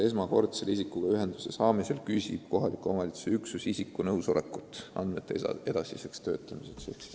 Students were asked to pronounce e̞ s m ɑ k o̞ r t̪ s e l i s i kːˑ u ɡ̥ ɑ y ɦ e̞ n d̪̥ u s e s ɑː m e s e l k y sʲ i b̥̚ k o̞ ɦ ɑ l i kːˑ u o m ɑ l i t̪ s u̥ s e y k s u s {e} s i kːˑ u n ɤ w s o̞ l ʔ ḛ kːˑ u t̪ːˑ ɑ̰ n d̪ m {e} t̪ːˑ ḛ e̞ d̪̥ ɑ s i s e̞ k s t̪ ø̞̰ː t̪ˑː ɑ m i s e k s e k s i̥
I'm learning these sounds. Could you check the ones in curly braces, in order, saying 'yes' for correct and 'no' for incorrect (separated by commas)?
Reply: no, yes